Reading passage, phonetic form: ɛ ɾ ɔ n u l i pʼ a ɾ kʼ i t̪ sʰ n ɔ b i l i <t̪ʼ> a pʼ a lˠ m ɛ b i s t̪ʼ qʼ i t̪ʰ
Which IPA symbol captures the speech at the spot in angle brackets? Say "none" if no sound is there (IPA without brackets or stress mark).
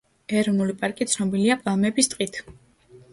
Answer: none